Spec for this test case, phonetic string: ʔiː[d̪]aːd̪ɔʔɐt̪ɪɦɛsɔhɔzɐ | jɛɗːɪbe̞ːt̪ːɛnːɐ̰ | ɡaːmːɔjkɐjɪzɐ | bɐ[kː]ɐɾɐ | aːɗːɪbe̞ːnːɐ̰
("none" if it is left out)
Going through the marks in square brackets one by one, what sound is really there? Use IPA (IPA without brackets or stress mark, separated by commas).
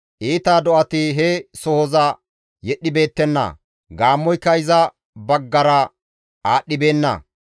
t̪, ɡː